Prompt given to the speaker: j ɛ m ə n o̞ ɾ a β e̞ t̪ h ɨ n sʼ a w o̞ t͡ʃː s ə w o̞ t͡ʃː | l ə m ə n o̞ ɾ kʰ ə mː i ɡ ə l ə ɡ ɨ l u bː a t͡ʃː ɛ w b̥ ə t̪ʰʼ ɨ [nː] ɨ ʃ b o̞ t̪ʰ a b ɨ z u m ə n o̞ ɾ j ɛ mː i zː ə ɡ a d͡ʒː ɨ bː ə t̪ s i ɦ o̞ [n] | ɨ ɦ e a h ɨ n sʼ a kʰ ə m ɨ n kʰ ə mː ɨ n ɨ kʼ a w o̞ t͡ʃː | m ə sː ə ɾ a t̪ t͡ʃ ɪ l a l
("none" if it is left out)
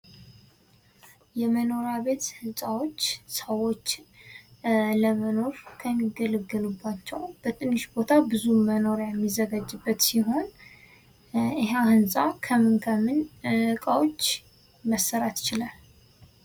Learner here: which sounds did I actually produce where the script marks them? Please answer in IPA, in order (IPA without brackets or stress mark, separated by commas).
nː, n